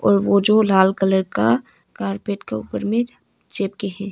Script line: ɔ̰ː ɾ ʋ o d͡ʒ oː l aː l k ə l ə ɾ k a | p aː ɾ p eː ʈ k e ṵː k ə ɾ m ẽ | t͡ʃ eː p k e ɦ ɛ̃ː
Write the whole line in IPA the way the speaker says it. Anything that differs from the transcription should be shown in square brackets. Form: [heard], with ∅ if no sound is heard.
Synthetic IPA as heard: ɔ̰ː ɾ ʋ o d͡ʒ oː l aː l k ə l ə ɾ k a | [k] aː ɾ p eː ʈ k e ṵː [p] ə ɾ m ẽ | t͡ʃ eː p k e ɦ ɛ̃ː